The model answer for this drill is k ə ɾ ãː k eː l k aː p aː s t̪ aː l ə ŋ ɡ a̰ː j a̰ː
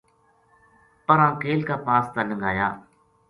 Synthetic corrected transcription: p ə ɾ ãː k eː l k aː p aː s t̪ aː l ə ŋ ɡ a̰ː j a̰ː